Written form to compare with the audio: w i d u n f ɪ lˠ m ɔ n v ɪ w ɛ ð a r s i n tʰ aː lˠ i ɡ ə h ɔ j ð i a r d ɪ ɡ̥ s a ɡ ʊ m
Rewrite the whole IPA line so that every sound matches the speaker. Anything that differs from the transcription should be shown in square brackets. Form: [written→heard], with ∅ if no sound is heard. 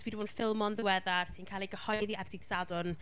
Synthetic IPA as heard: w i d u n f ɪ lˠ m ɔ n [v→ð] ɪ w ɛ ð a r s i n [tʰ→kʰ] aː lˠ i ɡ ə h ɔ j ð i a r d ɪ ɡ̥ s a [ɡ→d] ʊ [m→n]